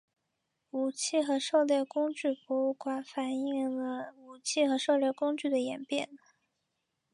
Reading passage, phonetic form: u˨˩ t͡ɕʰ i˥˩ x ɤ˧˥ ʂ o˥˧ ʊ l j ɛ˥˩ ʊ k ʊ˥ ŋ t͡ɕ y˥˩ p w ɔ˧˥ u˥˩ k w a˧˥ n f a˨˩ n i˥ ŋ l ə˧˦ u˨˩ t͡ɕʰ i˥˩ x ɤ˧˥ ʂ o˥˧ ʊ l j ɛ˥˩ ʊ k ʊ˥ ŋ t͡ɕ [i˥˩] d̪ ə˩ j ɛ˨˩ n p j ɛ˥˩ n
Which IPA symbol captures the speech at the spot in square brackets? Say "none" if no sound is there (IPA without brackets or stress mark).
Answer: y˥˩